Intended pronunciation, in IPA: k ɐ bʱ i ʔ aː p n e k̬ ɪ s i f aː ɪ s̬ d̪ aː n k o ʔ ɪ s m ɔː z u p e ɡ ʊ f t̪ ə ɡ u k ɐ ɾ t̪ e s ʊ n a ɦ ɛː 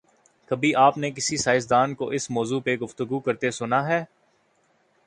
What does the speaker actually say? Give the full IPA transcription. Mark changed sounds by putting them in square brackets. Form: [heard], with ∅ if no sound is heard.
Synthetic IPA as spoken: k ɐ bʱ i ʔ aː p n e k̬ ɪ s i [s] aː ɪ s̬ d̪ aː n k o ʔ ɪ s m ɔː z u p e ɡ ʊ f t̪ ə ɡ u k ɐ ɾ t̪ e s ʊ n a ɦ ɛː

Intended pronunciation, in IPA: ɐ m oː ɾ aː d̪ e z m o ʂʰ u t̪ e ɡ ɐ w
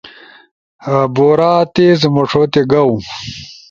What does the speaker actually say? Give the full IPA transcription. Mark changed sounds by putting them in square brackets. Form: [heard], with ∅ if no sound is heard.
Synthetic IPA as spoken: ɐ [b] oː ɾ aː [t̪] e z m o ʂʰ [o] t̪ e ɡ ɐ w

